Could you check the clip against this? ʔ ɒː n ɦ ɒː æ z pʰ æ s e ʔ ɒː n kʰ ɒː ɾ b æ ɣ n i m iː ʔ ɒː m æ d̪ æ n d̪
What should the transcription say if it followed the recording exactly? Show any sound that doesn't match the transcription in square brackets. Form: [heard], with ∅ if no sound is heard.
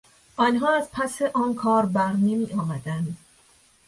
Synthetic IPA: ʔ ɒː n ɦ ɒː æ z pʰ æ s e ʔ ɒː n kʰ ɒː ɾ b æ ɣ n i m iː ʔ ɒː m æ d̪ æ n d̪